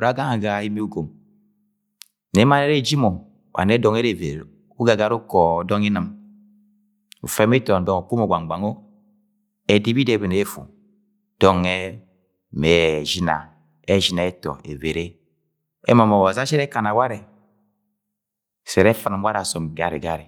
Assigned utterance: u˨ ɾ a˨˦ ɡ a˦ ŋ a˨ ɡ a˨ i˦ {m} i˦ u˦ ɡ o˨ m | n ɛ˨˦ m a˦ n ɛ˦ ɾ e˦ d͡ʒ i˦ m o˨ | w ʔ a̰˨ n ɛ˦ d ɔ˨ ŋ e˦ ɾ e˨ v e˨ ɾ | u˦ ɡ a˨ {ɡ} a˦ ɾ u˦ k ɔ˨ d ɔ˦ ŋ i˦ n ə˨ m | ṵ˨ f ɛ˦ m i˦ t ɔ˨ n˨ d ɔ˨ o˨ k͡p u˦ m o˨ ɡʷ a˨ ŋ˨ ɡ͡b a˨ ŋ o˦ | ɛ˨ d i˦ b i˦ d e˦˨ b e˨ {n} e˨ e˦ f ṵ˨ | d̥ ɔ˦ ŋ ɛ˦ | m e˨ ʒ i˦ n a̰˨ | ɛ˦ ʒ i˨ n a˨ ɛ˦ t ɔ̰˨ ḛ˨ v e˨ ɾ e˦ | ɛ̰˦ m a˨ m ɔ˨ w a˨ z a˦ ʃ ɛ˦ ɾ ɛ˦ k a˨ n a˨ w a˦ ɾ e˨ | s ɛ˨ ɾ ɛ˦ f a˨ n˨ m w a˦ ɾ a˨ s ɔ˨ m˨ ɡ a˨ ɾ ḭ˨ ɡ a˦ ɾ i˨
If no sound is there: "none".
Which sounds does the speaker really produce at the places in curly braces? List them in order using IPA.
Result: m, ɡ, n

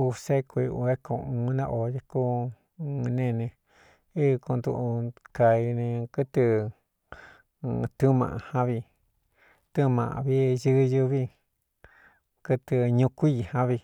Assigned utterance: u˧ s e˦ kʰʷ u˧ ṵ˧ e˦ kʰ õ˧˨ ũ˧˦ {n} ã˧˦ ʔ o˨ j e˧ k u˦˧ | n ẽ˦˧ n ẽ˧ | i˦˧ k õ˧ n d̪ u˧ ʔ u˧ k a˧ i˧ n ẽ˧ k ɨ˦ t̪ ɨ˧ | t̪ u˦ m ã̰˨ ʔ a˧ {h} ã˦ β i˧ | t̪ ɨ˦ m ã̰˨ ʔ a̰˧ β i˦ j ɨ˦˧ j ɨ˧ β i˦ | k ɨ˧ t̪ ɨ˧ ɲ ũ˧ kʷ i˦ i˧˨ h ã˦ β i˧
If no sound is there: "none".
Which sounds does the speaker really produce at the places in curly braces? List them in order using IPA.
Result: n, h

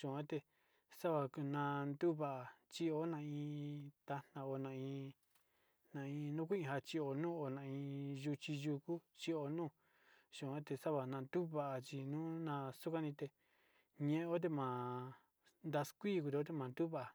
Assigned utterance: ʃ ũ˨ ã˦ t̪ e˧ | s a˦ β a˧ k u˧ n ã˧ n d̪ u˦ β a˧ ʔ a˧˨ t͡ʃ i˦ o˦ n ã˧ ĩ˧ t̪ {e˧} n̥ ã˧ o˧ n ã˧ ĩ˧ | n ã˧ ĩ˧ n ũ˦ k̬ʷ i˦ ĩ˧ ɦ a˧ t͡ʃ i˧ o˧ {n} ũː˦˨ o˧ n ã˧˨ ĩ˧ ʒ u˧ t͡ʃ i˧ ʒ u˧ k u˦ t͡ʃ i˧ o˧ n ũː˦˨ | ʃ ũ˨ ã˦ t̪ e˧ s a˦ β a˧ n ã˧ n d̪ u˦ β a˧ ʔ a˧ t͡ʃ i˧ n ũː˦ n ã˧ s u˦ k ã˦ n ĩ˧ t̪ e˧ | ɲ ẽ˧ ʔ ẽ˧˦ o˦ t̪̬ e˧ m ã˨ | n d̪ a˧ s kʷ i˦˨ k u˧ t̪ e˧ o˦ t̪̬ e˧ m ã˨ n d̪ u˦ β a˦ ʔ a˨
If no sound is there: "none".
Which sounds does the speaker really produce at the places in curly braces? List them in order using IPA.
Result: a˧, n

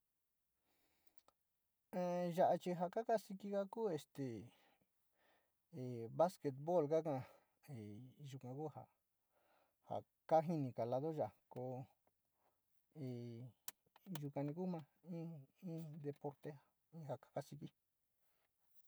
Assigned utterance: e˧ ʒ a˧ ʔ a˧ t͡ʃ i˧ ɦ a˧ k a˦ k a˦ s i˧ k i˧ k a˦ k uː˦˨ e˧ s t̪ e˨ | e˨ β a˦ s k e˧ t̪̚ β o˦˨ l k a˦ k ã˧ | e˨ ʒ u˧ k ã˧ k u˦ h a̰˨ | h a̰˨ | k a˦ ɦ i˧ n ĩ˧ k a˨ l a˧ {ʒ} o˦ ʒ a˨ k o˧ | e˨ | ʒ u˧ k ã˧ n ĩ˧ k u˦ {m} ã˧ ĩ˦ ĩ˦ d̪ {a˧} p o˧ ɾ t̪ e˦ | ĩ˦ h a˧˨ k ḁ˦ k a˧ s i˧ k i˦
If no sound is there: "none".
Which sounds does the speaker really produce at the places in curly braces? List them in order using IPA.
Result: ð, m, e˧

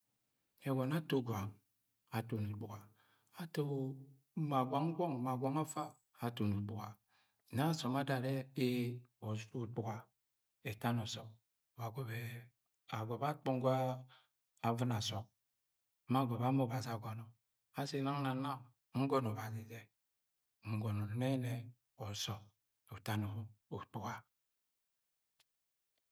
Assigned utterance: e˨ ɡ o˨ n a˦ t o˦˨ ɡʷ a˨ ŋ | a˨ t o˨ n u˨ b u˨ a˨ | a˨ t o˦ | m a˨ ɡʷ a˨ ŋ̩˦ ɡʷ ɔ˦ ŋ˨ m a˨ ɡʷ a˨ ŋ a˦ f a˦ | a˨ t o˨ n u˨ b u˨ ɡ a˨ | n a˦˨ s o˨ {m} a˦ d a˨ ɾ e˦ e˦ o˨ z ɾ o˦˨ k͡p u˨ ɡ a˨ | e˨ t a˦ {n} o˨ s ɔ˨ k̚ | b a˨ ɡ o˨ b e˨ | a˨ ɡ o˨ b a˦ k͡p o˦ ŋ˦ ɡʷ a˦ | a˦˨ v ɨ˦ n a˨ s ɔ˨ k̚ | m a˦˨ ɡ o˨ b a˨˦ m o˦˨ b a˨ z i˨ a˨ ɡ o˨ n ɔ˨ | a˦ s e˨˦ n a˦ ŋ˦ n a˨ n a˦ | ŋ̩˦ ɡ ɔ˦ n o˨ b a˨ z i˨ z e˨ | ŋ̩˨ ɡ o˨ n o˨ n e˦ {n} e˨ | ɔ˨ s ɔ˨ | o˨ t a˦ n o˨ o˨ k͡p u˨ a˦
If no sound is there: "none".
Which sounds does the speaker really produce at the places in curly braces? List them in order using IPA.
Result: m, n, n

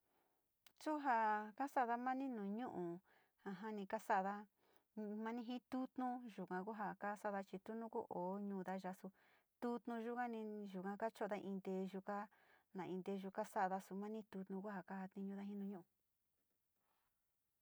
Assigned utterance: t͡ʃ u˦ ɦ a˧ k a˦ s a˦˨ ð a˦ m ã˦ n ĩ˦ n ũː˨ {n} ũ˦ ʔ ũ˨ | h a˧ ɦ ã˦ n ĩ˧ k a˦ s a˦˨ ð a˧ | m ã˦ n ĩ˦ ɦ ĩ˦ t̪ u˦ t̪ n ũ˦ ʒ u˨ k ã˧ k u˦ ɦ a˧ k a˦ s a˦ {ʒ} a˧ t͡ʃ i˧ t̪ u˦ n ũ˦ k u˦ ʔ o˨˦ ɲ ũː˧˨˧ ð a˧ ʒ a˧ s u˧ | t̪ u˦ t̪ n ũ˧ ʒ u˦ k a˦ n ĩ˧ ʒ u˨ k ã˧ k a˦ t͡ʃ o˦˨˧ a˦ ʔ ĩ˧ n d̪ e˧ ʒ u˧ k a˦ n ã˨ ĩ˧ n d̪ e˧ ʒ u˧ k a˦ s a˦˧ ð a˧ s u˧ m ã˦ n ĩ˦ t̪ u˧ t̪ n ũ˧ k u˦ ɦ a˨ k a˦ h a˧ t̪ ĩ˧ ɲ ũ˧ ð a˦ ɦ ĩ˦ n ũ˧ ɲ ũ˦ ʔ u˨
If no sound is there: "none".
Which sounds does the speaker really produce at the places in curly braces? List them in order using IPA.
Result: ɲ, ð

